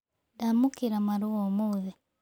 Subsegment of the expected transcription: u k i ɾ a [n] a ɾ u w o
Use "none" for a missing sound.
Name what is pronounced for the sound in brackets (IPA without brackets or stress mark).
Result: m